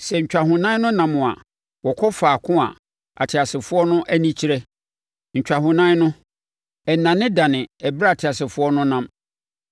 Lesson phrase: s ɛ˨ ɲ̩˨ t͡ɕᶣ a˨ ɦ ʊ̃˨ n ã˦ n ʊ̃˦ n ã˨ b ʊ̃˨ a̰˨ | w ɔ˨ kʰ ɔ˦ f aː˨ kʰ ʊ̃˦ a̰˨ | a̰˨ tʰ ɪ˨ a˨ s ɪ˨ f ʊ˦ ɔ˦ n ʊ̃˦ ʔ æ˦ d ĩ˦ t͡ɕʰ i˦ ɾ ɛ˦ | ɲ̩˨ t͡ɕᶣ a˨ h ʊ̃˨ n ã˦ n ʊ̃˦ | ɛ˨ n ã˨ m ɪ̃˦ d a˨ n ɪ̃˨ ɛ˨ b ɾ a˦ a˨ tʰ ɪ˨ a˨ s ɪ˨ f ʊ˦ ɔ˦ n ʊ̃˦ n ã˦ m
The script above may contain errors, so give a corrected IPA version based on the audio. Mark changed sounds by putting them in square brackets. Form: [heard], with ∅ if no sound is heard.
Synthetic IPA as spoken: s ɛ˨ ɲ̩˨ t͡ɕᶣ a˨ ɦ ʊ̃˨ n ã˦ n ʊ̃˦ n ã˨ [m] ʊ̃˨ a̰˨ | w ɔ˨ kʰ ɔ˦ f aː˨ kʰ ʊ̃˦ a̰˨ | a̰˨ tʰ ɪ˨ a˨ s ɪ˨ f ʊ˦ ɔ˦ n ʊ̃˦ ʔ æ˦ [n] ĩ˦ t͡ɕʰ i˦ ɾ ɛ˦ | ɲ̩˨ t͡ɕᶣ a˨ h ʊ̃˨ n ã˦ n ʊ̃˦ | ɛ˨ n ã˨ [n] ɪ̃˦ d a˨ n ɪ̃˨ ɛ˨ b ɾ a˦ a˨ tʰ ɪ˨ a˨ s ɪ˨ f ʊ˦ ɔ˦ n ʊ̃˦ n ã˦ m